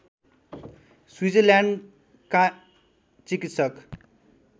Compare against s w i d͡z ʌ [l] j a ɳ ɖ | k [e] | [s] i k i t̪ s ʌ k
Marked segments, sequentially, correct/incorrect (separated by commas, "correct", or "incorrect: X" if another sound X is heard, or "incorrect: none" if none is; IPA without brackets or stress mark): correct, incorrect: a, incorrect: t͡s